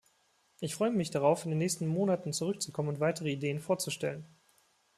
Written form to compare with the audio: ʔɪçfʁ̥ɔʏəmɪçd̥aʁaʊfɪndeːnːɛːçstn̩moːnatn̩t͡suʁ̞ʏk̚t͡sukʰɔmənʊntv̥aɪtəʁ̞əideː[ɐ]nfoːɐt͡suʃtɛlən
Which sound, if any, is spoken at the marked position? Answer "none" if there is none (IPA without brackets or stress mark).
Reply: ə